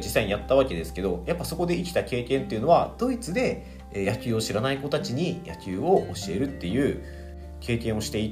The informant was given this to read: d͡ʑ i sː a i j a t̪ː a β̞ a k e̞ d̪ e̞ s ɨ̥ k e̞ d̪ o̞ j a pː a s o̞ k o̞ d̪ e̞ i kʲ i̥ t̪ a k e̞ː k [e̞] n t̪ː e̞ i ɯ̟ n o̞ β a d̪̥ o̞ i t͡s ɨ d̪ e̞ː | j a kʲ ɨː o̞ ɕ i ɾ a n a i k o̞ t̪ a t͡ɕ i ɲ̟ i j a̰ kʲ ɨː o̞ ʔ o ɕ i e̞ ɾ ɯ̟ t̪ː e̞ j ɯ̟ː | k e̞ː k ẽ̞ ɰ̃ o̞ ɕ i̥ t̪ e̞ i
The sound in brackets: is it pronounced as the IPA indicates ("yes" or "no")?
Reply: no